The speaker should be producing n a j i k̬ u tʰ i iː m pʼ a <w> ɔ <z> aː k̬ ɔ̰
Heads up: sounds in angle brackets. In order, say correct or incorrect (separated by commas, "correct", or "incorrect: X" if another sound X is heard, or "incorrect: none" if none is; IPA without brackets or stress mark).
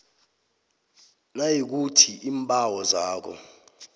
correct, correct